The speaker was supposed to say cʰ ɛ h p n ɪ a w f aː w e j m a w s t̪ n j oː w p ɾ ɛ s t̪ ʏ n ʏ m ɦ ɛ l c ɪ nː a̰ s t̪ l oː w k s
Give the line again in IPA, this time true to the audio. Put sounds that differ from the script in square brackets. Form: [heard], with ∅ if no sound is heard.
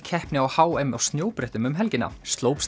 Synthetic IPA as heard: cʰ ɛ h p n ɪ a w [h] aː w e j m a w s t̪ n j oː w p ɾ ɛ [h] t̪ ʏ [m] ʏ m ɦ ɛ l c ɪ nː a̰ s t̪ l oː w [p] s